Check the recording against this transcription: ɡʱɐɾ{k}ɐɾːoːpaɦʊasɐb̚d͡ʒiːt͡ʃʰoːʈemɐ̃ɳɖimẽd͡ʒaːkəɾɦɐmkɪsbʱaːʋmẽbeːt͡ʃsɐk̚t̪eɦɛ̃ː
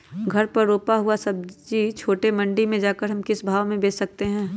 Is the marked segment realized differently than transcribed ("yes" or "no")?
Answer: yes